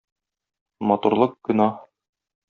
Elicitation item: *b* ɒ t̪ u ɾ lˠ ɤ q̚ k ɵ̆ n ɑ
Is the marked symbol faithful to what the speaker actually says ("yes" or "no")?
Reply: no